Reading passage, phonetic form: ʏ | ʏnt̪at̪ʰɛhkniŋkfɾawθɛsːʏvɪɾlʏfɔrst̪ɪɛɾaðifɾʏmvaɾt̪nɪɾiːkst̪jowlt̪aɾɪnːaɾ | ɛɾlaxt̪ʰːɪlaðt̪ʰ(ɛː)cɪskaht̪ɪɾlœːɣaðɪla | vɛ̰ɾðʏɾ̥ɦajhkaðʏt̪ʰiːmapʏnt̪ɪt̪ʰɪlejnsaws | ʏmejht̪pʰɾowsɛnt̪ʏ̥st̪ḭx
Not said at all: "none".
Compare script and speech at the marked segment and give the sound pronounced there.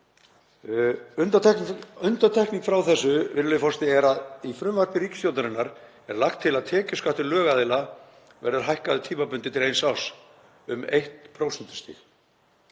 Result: ɛː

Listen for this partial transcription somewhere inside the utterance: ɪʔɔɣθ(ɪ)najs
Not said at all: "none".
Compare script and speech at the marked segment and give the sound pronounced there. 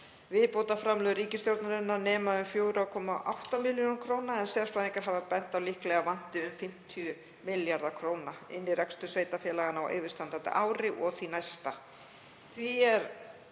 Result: i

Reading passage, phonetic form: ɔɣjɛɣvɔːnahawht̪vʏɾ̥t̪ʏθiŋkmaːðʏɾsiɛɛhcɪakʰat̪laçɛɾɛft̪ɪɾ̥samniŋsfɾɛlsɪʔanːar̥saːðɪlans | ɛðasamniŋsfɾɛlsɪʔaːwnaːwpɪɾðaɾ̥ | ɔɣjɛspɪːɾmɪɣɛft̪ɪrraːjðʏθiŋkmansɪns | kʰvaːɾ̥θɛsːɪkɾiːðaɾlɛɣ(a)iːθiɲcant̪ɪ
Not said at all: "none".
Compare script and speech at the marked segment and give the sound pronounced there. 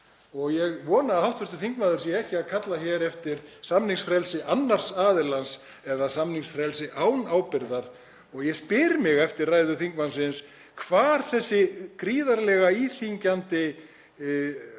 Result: a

